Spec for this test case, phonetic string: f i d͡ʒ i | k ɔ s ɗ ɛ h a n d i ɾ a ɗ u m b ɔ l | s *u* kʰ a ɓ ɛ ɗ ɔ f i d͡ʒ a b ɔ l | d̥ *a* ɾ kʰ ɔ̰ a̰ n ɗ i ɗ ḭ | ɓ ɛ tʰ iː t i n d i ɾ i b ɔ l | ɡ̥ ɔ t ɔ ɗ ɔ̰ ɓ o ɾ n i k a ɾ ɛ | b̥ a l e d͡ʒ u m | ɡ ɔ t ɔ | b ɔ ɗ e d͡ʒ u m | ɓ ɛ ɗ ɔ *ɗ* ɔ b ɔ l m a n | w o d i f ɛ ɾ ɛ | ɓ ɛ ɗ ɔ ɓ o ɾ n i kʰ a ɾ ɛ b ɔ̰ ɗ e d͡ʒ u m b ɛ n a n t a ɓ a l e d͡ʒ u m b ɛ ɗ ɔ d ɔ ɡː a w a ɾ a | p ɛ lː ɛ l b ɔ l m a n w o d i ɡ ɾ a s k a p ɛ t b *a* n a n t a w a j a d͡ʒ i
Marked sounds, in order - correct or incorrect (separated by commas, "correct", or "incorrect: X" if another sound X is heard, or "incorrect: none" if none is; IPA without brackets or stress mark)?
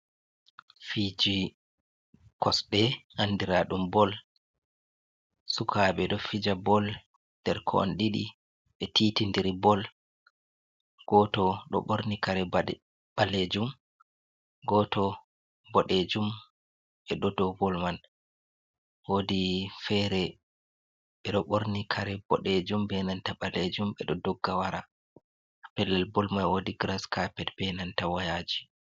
correct, incorrect: ɛ, incorrect: d, incorrect: ɛ